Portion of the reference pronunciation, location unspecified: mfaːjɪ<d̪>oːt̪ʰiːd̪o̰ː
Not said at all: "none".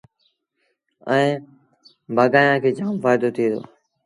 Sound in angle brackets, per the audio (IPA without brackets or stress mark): d̪